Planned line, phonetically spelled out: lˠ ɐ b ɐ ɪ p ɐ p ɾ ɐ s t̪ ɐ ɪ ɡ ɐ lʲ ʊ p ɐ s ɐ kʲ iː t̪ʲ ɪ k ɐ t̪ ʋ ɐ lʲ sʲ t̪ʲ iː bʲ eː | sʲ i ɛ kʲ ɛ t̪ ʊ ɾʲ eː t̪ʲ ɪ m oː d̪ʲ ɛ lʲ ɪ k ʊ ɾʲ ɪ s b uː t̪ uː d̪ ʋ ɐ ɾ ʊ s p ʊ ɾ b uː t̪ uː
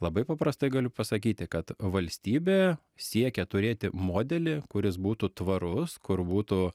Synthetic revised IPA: lˠ ɐ b ɐ ɪ p ɐ p ɾ ɐ s t̪ ɐ ɪ ɡ ɐ lʲ ʊ p ɐ s ɐ kʲ iː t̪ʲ ɪ k ɐ t̪ ʋ ɐ lʲ sʲ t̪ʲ iː bʲ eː | sʲ i ɛ kʲ ɛ t̪ ʊ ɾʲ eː t̪ʲ ɪ m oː d̪ʲ ɛ lʲ ɪ k ʊ ɾʲ ɪ s b uː t̪ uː t̪ ʋ ɐ ɾ ʊ s k ʊ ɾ b uː t̪ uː